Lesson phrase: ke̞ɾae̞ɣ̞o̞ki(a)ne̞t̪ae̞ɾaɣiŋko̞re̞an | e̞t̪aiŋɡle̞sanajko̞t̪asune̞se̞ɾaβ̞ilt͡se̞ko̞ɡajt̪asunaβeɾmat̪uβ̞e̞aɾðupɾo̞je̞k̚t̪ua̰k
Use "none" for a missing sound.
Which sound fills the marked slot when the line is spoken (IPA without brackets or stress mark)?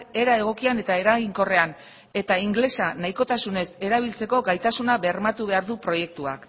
a